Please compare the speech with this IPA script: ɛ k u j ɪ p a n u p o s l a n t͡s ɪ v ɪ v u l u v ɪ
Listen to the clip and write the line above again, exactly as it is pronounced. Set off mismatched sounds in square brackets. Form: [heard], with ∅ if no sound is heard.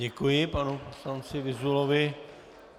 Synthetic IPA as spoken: ɛ k u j ɪ p a n u p o s l a n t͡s ɪ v ɪ [z] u l [o] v ɪ